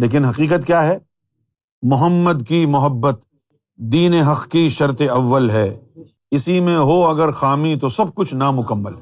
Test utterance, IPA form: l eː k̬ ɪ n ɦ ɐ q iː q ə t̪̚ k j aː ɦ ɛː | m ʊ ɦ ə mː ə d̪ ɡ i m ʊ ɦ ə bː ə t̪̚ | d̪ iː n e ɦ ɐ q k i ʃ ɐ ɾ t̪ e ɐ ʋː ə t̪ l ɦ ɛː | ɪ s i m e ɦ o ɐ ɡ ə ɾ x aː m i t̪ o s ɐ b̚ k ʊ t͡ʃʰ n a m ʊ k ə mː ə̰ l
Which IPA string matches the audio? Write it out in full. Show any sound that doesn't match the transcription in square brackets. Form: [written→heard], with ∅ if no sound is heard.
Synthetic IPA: l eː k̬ ɪ n ɦ ɐ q iː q ə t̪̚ k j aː ɦ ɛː | m ʊ ɦ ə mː ə d̪ [ɡ→k] i m ʊ ɦ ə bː ə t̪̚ | d̪ iː n e ɦ ɐ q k i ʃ ɐ ɾ t̪ e ɐ ʋː ə [t̪→∅] l ɦ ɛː | ɪ s i m [e→ẽ] ɦ o ɐ ɡ ə ɾ x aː m i t̪ o s ɐ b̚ k ʊ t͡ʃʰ n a m ʊ k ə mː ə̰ l